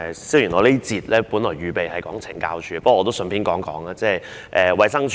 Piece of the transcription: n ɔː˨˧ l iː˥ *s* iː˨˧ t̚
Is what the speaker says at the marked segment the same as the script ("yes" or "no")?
no